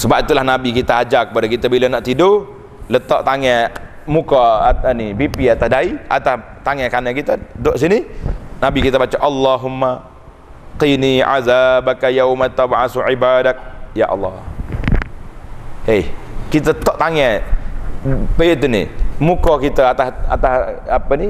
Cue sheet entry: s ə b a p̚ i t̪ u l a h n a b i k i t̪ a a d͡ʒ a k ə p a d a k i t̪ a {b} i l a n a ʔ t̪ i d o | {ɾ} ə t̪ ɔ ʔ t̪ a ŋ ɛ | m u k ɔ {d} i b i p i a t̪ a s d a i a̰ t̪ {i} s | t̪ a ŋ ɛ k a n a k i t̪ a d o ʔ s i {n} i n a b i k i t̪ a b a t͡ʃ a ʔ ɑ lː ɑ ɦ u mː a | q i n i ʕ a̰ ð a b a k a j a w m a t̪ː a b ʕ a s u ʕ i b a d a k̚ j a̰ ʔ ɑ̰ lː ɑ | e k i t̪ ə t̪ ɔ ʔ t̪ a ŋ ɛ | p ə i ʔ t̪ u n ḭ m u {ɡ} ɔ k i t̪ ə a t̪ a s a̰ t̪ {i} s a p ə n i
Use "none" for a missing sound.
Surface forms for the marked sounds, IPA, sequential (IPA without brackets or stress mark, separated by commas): b, l, n, a, n, k, a